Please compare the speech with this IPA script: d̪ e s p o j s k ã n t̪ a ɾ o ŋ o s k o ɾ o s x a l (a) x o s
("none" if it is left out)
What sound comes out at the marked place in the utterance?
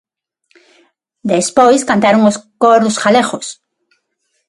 e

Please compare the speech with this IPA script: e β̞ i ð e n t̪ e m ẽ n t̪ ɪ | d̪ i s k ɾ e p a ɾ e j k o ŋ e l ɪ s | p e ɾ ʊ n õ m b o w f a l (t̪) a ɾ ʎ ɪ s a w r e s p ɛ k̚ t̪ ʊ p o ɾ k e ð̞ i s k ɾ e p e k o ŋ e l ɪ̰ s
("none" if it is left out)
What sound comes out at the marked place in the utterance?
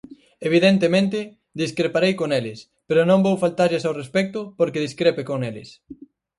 t̪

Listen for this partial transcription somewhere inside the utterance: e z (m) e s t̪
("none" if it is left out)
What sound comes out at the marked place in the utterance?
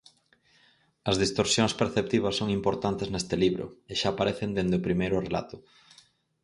n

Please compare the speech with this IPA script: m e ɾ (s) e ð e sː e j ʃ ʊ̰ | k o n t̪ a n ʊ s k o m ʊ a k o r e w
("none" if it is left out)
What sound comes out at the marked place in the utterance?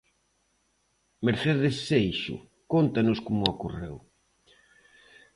θ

